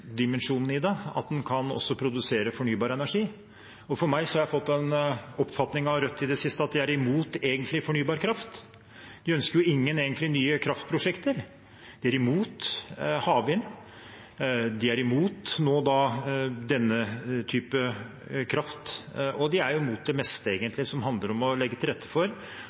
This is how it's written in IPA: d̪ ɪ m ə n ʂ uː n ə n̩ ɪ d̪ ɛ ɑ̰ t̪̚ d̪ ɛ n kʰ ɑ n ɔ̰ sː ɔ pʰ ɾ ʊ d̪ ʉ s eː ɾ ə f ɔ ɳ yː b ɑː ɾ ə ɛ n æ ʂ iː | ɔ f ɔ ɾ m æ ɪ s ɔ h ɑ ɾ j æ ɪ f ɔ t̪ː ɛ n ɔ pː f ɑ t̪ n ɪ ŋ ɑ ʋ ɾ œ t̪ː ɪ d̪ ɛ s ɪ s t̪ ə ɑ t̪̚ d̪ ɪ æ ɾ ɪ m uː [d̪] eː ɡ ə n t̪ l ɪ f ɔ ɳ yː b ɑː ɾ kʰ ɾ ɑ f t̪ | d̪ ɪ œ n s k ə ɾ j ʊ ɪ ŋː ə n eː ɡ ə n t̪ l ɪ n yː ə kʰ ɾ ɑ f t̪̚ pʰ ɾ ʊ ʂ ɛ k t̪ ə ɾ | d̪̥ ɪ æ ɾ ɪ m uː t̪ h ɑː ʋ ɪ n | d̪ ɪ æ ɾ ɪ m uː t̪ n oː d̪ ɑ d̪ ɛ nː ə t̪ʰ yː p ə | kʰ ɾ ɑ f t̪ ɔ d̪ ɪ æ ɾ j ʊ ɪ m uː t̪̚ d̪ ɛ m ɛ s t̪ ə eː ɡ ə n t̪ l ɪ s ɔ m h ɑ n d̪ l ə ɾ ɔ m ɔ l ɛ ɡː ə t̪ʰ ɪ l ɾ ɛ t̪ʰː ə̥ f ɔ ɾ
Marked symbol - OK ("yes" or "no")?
no